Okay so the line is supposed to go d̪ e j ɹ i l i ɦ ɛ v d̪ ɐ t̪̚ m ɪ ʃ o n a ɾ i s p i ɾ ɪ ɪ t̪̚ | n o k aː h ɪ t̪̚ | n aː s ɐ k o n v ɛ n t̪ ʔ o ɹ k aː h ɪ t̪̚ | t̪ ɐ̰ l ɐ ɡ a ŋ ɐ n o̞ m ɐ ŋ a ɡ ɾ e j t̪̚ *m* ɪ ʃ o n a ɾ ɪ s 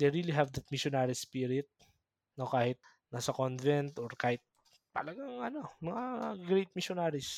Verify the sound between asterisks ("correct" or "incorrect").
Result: correct